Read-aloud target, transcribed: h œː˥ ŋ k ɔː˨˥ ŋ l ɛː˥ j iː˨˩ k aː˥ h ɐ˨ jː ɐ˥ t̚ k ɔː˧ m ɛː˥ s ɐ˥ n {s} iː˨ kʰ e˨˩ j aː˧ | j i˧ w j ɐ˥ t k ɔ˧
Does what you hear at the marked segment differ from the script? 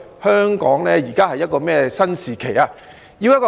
no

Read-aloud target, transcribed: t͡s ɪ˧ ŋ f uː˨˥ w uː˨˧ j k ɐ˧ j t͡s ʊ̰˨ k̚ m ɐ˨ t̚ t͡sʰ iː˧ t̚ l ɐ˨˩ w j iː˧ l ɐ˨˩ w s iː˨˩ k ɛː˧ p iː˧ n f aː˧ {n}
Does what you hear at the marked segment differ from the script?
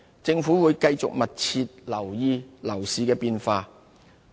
yes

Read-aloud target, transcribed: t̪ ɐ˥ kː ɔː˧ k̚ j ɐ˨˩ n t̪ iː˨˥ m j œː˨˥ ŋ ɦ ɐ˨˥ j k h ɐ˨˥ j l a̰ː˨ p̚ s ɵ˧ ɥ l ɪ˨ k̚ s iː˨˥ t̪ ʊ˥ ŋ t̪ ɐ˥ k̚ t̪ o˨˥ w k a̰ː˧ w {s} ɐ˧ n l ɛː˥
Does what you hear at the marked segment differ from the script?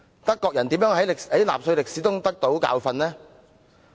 yes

